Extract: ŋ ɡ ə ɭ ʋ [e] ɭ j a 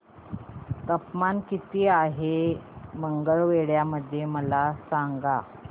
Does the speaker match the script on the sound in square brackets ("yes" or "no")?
yes